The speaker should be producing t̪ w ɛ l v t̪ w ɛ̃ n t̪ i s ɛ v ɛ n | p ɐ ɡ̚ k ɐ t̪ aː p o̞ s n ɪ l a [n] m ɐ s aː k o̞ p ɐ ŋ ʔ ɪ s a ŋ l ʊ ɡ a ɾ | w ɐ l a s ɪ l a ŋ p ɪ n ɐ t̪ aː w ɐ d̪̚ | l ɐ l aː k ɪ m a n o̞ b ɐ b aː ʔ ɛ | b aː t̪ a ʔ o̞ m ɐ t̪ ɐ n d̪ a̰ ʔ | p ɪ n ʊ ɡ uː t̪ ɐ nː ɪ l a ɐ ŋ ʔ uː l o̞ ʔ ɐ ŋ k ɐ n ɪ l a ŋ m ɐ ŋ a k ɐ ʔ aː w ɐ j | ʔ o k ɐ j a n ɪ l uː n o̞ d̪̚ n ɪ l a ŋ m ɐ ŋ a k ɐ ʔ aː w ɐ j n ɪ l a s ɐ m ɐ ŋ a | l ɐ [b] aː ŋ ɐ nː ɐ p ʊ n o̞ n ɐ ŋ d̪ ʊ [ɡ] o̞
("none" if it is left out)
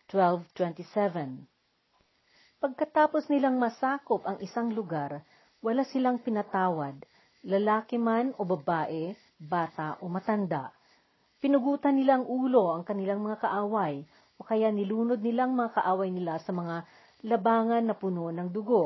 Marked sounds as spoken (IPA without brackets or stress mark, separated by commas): ŋ, b, ɡ